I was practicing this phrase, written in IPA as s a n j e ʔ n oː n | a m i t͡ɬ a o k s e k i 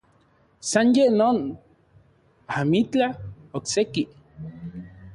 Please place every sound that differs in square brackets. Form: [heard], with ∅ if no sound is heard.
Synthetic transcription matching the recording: s a n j e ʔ n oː n | a m i t͡ɬ a o k s e k i

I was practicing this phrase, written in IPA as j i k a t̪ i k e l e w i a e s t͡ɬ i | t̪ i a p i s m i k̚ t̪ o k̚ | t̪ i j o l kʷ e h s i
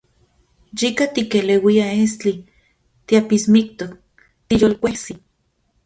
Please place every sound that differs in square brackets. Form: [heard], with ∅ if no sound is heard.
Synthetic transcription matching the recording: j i k a t̪ i k e l e w i a e s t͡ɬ i | t̪ i a p i s m i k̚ t̪ o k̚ | t̪ i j o l kʷ e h s i

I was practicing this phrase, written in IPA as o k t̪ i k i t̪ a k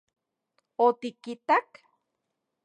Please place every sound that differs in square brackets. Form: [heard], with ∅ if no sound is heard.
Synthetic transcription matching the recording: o [∅] t̪ i k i t̪ a k

